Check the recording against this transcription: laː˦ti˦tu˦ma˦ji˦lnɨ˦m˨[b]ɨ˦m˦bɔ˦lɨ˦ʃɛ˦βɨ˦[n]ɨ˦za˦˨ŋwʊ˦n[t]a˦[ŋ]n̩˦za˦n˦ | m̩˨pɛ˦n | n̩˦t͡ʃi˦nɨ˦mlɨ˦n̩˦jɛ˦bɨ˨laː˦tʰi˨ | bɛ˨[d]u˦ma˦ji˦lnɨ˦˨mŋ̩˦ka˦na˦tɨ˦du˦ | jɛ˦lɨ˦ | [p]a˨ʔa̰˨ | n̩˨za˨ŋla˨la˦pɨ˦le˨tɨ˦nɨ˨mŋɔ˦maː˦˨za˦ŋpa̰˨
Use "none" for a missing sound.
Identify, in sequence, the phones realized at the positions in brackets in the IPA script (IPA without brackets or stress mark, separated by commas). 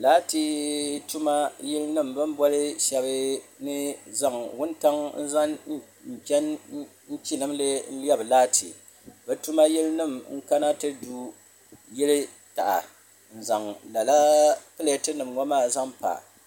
b, n, t, ŋ, t, t